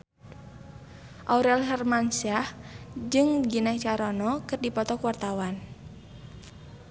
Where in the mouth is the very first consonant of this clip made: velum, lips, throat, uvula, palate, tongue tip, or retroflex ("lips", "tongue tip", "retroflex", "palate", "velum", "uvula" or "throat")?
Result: throat